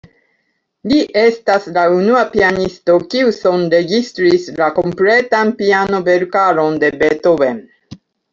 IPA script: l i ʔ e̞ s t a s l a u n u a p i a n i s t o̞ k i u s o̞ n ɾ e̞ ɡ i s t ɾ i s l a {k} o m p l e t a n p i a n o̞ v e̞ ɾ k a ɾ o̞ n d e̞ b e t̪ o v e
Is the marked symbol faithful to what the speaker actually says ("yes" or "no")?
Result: yes